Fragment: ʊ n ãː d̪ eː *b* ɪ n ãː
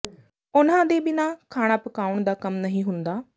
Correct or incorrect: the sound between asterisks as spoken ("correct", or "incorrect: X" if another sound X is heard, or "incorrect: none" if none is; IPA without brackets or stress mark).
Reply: correct